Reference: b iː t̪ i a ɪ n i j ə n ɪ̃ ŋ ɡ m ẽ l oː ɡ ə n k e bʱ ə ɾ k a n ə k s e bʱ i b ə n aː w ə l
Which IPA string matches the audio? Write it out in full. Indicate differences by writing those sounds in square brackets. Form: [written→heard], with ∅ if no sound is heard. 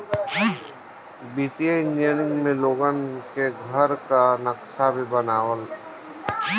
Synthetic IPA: b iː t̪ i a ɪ n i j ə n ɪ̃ ŋ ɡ m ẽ l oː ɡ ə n k e [bʱ→ɡʱ] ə ɾ k a n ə k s [e→a] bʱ i b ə n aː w ə l